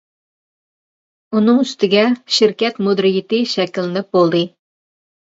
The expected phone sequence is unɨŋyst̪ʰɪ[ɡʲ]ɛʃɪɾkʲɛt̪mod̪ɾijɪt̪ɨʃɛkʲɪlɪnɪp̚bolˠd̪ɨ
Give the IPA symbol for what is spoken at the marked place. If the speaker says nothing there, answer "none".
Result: ɡʲ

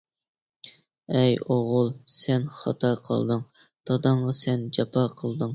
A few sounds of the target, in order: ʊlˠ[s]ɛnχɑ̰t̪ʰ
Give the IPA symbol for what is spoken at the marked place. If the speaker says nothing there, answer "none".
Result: s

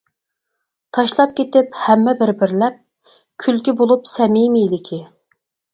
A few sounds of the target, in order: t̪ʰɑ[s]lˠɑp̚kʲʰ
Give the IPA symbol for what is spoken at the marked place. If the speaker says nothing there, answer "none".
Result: ʃ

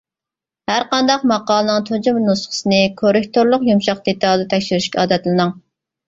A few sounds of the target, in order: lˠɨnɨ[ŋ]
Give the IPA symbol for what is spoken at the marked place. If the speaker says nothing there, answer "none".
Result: ŋ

